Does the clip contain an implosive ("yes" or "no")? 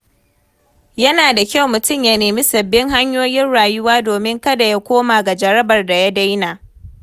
no